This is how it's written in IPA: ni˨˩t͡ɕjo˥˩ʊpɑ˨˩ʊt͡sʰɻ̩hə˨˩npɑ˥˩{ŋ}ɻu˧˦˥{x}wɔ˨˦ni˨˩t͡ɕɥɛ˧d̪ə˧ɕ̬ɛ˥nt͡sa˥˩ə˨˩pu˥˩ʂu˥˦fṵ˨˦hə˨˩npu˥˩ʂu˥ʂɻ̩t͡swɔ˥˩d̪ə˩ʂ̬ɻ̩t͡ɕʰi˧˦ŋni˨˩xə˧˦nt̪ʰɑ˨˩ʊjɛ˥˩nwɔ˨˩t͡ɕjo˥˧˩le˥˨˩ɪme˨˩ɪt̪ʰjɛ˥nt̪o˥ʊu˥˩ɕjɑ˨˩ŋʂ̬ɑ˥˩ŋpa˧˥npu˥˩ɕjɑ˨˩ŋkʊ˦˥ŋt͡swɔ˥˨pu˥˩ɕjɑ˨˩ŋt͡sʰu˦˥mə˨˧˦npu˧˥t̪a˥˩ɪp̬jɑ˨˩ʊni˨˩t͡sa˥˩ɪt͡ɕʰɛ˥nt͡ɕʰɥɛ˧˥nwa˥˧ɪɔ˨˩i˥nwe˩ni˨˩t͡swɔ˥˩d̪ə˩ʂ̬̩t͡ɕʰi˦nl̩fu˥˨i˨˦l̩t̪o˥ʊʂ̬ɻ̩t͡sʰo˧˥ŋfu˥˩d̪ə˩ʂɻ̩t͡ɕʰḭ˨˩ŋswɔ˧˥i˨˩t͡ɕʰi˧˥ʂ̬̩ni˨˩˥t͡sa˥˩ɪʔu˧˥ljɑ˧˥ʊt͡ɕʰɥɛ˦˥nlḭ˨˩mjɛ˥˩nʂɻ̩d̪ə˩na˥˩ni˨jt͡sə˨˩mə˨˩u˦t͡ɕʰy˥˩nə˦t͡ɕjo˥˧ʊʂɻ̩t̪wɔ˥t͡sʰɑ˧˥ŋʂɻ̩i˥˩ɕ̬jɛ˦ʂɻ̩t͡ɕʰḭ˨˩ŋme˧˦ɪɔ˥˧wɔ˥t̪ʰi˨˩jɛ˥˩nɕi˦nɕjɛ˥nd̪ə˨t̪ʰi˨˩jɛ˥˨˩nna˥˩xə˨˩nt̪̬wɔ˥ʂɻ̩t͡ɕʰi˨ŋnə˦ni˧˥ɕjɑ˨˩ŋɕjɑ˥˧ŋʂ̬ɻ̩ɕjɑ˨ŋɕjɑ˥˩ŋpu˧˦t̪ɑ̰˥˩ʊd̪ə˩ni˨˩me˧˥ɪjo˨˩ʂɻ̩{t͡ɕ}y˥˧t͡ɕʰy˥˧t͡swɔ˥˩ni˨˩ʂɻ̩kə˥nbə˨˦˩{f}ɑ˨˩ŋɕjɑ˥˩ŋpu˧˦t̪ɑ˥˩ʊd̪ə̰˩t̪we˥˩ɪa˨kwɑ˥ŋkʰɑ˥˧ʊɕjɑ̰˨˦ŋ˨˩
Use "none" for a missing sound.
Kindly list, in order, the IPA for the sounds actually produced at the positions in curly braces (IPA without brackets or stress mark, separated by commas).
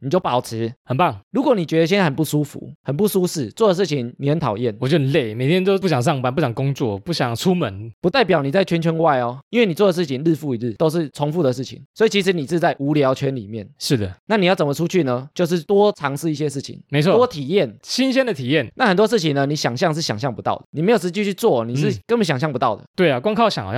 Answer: ŋ, k, t͡ɕ, ɕ